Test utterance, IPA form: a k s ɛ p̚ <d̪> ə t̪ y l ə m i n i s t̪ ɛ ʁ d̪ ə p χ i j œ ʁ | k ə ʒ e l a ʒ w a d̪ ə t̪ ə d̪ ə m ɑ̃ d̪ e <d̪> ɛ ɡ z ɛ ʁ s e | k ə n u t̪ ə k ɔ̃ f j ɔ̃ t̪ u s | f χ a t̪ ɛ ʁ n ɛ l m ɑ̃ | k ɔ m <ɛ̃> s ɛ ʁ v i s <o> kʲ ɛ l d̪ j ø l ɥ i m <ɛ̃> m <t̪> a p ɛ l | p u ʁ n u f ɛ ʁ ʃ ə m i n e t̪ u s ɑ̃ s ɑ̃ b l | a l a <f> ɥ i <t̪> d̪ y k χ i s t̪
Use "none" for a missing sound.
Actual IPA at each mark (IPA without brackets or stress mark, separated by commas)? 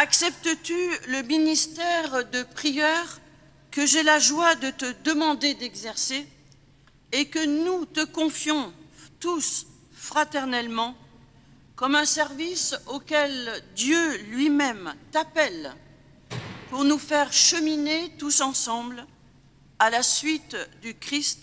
t̪, d̪, ɛ̃, o, ɛ, t̪, s, t̪